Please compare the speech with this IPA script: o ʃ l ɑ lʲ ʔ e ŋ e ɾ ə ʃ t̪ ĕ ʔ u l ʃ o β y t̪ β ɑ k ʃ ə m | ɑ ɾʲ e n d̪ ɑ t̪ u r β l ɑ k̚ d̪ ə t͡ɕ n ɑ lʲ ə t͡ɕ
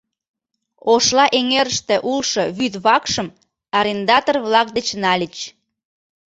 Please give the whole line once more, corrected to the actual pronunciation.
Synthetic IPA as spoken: o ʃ l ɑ ʔ e ŋ e ɾ ə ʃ t̪ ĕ ʔ u l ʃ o β y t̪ β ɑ k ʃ ə m | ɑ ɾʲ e n d̪ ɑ t̪ o r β l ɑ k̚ d̪ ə t͡ɕ n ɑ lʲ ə t͡ɕ